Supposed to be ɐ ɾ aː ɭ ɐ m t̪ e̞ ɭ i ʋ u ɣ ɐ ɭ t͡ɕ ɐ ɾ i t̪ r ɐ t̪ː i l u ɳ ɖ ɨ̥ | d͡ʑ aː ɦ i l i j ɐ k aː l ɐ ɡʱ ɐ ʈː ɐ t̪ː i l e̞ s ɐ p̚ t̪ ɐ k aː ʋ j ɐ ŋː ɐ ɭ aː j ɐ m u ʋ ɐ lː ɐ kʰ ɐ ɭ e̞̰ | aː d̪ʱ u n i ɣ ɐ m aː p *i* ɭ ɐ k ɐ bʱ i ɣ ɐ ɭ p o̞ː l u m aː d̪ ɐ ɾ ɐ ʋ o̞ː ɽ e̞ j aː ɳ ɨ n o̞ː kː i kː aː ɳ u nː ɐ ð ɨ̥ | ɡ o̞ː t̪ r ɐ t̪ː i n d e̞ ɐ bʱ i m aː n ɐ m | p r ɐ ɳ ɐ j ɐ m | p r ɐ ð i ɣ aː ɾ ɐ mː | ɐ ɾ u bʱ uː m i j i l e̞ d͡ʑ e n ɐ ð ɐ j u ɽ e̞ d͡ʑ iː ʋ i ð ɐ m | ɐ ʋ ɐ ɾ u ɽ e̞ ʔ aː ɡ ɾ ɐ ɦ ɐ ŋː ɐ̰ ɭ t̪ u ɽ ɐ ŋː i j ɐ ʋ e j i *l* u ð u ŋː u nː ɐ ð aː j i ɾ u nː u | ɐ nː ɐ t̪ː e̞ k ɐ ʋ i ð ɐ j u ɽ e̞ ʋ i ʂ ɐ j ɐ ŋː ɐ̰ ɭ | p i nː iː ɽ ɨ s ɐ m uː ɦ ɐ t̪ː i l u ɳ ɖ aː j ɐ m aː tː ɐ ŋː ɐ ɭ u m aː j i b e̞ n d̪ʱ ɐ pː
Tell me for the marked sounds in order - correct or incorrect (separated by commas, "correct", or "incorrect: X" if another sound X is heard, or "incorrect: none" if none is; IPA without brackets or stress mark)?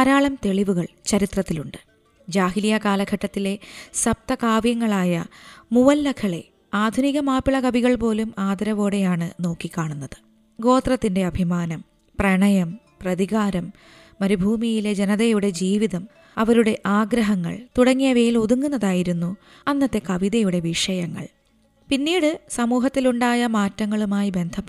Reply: correct, correct